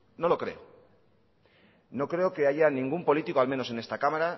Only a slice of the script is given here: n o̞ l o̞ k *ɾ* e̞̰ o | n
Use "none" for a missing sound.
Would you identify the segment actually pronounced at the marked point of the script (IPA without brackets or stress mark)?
ɾ